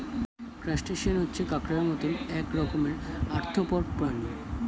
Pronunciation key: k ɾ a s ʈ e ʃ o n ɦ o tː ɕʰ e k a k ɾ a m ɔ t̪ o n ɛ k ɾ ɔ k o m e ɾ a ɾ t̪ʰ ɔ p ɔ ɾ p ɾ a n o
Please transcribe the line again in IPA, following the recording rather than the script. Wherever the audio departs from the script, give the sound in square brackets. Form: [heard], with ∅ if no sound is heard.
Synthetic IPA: k ɾ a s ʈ e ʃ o n ɦ o tː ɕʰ e k a k ɾ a m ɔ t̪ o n ɛ k ɾ ɔ k o m e ɾ a ɾ t̪ʰ [o] p ɔ ɾ p ɾ a n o